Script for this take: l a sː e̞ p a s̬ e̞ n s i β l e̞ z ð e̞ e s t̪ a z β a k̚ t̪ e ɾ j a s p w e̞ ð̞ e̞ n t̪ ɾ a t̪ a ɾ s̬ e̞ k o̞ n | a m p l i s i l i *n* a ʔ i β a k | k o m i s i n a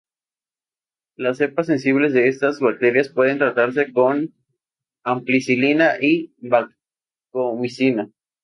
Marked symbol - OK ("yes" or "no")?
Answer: yes